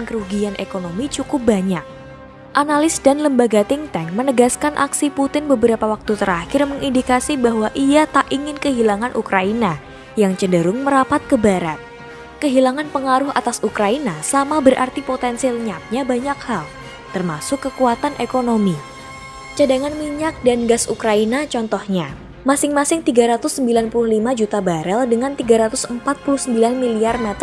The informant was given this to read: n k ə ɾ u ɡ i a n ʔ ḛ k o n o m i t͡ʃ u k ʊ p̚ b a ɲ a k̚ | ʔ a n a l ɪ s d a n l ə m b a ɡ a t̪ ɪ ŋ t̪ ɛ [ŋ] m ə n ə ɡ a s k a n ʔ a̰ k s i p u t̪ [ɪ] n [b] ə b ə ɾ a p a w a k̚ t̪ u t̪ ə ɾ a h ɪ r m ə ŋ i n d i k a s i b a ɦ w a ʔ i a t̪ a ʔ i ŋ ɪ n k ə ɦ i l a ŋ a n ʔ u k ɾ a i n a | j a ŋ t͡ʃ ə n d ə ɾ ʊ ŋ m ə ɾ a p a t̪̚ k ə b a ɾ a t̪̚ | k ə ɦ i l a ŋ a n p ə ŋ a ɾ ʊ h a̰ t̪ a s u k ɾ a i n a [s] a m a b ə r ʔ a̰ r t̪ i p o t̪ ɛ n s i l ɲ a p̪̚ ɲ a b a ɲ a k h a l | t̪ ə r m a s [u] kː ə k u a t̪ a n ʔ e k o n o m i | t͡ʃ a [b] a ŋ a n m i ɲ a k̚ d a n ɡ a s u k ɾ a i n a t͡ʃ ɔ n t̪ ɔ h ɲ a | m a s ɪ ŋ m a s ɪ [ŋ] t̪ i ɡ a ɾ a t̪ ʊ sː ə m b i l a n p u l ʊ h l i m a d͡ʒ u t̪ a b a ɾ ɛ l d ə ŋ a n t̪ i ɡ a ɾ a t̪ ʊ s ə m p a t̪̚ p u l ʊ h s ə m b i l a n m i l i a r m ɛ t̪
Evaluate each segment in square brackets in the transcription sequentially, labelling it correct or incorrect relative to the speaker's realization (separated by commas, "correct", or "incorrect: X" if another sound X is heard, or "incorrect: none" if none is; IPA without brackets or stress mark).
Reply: correct, correct, correct, correct, incorrect: ʊ, incorrect: d, correct